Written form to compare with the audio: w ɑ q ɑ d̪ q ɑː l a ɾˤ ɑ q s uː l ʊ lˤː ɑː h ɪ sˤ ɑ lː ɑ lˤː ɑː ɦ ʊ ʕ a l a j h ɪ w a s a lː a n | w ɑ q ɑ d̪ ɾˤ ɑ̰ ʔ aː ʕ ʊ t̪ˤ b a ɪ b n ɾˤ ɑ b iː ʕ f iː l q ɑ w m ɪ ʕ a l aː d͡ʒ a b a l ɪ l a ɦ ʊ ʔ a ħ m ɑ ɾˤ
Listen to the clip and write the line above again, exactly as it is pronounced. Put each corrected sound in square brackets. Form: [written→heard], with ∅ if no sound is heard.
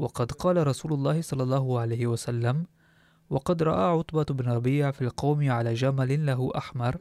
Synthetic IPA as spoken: w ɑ q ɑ d̪ q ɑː l a ɾˤ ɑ [q→∅] s uː l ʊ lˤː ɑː h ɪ sˤ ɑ lː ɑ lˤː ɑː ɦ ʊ ʕ a l a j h ɪ w a s a lː a [n→m] | w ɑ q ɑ d̪ ɾˤ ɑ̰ ʔ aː ʕ ʊ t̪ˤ b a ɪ b n ɾˤ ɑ b iː ʕ f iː l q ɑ w m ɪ ʕ a l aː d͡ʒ a [b→m] a l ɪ l a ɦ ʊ ʔ a ħ m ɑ ɾˤ